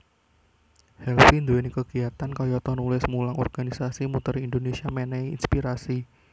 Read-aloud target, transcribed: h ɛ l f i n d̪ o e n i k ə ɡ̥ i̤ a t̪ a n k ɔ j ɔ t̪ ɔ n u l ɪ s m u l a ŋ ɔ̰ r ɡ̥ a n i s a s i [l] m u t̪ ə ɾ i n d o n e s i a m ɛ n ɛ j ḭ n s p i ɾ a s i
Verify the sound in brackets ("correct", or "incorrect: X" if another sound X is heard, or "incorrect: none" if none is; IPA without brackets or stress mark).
incorrect: none